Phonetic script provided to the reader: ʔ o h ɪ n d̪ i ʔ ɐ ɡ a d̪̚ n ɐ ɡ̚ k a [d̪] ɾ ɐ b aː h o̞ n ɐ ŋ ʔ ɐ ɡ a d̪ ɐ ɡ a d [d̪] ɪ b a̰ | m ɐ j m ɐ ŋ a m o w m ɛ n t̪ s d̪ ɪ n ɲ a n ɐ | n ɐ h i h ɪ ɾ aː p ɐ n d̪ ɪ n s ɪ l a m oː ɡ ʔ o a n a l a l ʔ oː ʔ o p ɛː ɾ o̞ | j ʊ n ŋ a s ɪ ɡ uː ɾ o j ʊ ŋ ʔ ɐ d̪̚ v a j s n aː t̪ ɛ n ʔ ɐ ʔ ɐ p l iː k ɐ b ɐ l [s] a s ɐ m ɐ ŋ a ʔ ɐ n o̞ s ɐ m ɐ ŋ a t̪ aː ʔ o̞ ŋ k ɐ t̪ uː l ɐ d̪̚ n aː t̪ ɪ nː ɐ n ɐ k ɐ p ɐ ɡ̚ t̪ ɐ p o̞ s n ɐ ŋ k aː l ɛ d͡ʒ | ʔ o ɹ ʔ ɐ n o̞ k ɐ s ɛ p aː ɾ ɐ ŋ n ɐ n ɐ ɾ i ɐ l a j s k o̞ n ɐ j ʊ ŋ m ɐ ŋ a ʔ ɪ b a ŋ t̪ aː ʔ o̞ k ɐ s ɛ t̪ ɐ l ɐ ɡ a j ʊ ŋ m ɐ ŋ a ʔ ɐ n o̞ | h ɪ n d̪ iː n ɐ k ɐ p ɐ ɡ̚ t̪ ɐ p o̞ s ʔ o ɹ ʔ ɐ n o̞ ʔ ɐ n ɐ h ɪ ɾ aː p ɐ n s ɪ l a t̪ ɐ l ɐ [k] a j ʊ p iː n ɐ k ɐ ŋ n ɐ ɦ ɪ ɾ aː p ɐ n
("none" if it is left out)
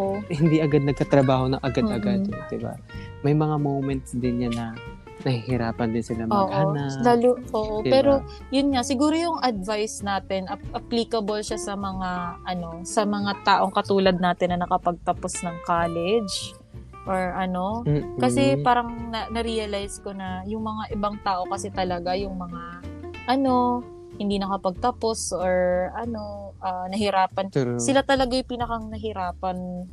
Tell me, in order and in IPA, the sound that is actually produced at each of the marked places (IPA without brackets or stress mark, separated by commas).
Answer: t̪, d̪, ʃ, ɡ